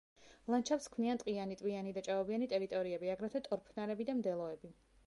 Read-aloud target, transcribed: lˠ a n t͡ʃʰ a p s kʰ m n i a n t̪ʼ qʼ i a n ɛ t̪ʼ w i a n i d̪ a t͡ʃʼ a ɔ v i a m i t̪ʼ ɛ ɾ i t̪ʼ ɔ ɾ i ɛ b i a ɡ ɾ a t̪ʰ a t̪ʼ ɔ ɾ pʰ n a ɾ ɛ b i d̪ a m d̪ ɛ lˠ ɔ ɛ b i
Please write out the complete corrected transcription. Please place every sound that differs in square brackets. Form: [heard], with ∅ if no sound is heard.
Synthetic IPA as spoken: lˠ a n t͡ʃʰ a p s kʰ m n i a n t̪ʼ qʼ i a n [i] t̪ʼ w i a n i d̪ a t͡ʃʼ a ɔ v i a [n] i t̪ʼ ɛ ɾ i t̪ʼ ɔ ɾ i ɛ b i a ɡ ɾ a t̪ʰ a t̪ʼ ɔ ɾ pʰ n a ɾ ɛ b i d̪ a m d̪ ɛ lˠ ɔ ɛ b i